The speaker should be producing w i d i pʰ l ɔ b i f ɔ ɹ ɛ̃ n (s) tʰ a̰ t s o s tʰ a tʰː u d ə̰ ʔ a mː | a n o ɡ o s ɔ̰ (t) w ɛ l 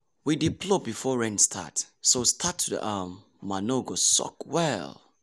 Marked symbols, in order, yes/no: yes, no

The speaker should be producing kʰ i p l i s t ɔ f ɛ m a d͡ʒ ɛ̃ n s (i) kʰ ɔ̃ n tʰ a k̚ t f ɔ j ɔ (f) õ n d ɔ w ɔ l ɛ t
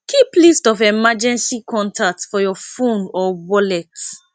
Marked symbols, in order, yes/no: yes, yes

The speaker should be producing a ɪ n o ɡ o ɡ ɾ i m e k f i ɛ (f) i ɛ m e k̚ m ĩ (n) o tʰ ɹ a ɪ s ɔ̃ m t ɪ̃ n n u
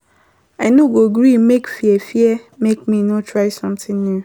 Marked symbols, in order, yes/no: yes, yes

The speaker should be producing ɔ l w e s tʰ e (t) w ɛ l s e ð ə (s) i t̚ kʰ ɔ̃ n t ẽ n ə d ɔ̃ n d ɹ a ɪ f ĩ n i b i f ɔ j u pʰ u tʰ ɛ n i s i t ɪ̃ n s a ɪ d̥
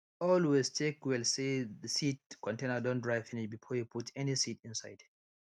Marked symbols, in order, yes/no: no, yes

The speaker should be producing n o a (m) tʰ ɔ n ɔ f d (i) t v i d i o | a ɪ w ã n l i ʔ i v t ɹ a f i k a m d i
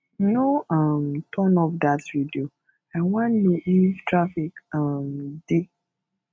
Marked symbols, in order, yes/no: yes, no

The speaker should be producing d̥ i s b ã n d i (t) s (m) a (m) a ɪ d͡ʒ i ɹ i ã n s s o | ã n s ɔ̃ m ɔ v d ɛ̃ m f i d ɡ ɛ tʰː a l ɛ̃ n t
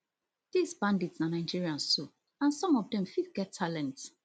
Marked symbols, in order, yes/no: yes, no, no

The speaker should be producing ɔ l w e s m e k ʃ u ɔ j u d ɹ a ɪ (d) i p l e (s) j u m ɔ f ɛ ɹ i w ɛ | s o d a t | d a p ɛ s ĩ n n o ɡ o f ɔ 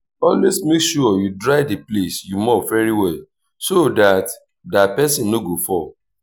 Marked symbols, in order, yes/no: yes, yes

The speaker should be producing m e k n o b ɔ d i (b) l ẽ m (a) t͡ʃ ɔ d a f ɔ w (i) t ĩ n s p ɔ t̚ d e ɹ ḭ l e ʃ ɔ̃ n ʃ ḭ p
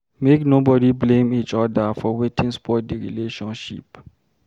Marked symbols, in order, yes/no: yes, no, no

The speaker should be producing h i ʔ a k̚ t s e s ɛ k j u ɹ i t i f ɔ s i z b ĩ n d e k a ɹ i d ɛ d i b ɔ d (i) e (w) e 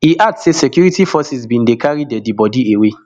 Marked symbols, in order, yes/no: yes, yes

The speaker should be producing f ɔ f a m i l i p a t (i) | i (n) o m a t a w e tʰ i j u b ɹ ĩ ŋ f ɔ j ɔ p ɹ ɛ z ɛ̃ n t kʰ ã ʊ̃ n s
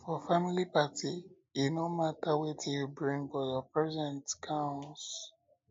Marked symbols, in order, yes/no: yes, yes

